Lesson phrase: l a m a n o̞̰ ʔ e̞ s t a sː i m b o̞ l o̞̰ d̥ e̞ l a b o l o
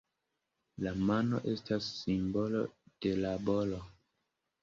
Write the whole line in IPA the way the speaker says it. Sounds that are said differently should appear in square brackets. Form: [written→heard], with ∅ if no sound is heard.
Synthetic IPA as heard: l a m a n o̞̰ ʔ e̞ s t a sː i m b o̞ l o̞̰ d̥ e̞ l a b o l o